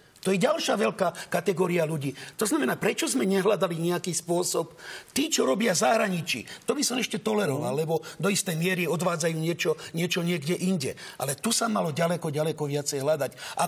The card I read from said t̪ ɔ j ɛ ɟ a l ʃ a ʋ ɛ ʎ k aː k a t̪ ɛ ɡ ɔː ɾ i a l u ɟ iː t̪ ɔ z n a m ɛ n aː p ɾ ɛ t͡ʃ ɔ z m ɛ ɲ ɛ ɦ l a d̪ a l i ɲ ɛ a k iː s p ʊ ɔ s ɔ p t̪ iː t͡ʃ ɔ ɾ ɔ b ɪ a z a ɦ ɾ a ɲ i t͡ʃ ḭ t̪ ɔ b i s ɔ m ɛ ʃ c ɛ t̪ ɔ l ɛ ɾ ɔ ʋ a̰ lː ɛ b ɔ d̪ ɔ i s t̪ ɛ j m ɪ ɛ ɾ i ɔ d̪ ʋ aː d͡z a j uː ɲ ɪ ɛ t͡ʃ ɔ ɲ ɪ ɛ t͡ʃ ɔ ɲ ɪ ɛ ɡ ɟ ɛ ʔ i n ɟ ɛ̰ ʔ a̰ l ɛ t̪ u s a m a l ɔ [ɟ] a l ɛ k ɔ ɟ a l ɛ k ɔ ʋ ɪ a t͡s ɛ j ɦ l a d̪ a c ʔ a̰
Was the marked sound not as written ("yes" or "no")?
no